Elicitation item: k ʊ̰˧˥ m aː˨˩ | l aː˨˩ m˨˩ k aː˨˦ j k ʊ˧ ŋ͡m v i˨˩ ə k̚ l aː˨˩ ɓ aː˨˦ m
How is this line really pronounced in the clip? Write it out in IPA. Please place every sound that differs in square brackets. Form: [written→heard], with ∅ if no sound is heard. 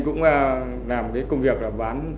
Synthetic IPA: k ʊ̰˧˥ [m→ŋ͡m] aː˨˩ | l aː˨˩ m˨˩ k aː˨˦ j k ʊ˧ ŋ͡m v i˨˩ ə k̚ l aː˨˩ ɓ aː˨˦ [m→n]